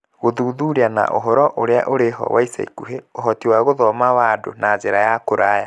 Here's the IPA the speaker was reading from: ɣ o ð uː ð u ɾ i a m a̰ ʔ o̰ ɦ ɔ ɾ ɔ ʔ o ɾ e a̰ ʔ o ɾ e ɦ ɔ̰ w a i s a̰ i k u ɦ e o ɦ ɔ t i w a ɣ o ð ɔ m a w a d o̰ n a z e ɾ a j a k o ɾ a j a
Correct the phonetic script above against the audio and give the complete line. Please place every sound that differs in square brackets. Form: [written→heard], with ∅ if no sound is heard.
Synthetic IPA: ɣ o ð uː ð u ɾ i a [m→n] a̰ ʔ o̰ ɦ ɔ ɾ ɔ ʔ o ɾ e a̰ ʔ o ɾ e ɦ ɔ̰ w a i s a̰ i k u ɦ e o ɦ ɔ t i w a ɣ o ð ɔ m a w a d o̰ n a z e ɾ a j a k o ɾ a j a